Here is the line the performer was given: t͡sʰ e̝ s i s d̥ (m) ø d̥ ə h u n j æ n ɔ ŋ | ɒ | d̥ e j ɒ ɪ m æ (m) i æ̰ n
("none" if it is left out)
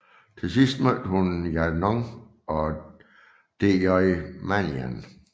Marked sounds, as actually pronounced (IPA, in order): m, n

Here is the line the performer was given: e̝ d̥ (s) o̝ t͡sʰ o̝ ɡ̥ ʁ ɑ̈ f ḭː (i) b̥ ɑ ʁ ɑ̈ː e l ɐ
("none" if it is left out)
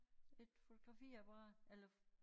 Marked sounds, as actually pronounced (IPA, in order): f, æ

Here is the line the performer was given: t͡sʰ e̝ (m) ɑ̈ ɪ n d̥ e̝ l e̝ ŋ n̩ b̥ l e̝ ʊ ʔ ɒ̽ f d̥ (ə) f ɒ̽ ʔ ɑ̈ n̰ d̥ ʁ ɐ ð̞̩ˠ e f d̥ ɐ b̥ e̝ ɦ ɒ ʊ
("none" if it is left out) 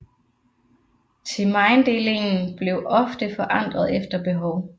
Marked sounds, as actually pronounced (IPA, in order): m, ə

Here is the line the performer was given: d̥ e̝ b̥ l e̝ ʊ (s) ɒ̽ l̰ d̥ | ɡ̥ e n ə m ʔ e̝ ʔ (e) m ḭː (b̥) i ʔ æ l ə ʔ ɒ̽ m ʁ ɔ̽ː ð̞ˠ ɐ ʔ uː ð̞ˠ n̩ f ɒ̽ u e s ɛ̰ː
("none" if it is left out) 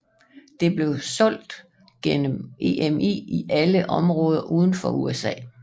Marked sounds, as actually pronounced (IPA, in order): s, e, none

